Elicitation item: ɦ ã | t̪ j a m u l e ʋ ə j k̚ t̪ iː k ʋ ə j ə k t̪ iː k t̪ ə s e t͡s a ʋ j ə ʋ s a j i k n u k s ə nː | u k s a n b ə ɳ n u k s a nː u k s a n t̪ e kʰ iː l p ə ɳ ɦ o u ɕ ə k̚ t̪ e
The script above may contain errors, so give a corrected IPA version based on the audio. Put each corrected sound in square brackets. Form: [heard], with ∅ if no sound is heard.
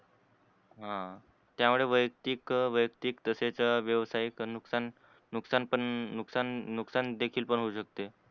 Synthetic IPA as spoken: ɦ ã | t̪ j a m u [ɭ] e ʋ ə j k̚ t̪ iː k ʋ ə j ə k t̪ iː k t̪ ə s e t͡s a ʋ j ə ʋ s a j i k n u k s [a] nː | u k s a n [p] ə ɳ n u k s a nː u k s a n [d̪] e kʰ iː l p ə ɳ ɦ o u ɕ ə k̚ t̪ e